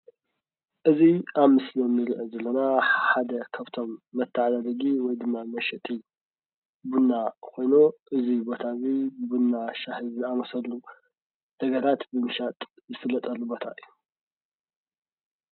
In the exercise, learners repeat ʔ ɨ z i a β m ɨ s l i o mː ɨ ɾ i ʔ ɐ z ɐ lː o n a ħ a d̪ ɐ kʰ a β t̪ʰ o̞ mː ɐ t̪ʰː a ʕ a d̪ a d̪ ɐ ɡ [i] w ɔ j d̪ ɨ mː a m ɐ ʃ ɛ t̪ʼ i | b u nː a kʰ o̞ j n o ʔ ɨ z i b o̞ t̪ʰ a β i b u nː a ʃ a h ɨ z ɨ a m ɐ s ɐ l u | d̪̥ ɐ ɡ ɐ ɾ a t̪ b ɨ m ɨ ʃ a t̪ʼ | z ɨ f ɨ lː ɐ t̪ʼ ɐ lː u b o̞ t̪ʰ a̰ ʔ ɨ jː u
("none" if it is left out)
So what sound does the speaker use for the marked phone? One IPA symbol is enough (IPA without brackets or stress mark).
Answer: i